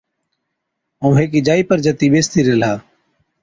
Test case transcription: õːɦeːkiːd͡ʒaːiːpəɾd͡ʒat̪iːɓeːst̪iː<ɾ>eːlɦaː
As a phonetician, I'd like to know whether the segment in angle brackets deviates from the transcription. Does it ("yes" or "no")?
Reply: no